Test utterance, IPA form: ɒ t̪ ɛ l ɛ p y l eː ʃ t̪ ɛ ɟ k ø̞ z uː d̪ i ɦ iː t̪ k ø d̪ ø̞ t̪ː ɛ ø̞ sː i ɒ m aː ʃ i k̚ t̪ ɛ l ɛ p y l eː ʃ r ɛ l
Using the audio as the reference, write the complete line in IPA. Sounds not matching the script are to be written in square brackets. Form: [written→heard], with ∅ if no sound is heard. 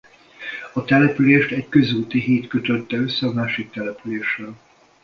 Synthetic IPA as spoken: ɒ t̪ ɛ l ɛ p y l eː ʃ t̪ ɛ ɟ k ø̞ z uː [d̪→t̪] i ɦ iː t̪ k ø [d̪→t̪] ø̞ t̪ː ɛ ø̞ sː [i→ɛ] ɒ m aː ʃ i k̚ t̪ ɛ l ɛ p y l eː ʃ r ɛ l